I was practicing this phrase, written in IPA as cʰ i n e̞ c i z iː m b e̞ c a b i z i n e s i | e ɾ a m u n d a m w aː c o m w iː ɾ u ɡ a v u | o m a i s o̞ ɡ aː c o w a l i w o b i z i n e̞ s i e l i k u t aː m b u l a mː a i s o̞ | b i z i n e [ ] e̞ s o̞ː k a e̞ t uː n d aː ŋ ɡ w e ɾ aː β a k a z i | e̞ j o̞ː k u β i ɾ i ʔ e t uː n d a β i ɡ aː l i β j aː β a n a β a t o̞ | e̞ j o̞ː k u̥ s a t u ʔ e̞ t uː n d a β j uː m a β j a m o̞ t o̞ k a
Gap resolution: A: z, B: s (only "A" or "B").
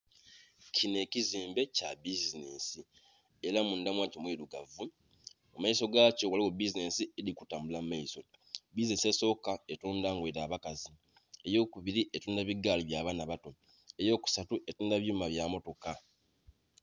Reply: B